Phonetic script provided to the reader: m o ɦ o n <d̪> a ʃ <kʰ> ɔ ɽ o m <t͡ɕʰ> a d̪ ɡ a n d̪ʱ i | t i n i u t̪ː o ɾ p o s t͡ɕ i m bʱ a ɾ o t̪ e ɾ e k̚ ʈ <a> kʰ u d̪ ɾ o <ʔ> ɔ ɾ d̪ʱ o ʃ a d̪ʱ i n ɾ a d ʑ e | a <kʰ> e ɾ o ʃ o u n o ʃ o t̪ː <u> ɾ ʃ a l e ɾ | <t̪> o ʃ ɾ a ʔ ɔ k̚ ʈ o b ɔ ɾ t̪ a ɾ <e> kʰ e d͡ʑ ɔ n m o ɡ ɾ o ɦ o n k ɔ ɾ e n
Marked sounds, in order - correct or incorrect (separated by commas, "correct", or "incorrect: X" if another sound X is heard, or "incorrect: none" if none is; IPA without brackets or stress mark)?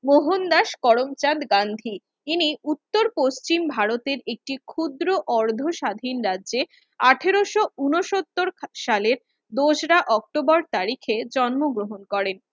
correct, incorrect: k, incorrect: t͡ɕ, incorrect: i, correct, incorrect: ʈʰ, incorrect: o, incorrect: d̪, incorrect: i